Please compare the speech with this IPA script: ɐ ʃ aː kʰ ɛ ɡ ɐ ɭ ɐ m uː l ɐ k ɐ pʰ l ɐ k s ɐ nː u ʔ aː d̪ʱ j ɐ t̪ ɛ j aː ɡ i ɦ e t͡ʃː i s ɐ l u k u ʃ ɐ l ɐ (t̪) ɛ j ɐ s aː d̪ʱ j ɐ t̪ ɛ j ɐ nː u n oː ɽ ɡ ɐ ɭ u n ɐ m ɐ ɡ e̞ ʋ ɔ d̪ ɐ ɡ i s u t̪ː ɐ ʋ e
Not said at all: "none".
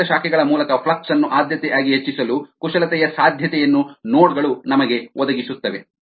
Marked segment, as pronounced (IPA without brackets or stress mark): t̪